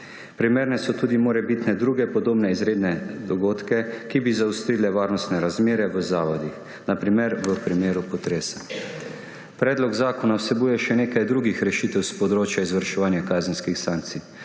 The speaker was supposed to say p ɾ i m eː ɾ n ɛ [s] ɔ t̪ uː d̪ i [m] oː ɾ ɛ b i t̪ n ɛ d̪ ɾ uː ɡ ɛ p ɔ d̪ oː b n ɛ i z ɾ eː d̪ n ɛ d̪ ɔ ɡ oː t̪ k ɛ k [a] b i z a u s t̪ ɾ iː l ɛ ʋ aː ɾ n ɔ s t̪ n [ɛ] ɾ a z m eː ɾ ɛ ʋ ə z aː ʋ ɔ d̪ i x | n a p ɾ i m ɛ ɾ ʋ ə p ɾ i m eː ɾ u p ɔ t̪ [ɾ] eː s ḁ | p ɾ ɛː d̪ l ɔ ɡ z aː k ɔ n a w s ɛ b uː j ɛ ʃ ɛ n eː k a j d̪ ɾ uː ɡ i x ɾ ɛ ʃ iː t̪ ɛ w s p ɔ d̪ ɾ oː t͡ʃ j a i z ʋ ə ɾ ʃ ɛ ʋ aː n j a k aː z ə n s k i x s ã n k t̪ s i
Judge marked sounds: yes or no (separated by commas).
yes, yes, no, yes, yes